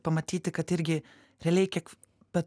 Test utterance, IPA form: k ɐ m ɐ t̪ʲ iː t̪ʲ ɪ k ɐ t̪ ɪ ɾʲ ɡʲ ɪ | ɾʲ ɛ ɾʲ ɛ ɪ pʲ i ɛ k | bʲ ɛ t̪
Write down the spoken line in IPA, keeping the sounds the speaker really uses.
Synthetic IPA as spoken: p ɐ m ɐ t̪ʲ iː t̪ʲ ɪ k ɐ t̪ ɪ ɾʲ ɡʲ ɪ | ɾʲ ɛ lʲ ɛ ɪ kʲ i ɛ k | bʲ ɛ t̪